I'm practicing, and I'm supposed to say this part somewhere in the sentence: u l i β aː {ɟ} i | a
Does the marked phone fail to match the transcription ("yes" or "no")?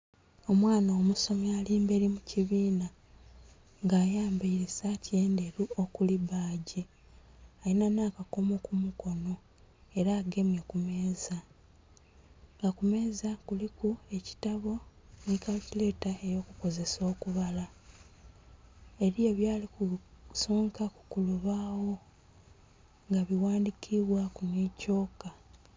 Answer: no